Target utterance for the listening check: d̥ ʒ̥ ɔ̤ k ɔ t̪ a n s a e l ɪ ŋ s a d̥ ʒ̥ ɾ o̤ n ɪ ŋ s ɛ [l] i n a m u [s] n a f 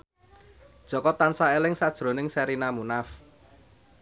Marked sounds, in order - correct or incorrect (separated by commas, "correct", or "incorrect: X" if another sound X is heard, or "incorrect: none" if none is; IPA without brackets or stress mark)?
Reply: incorrect: ɾ, incorrect: none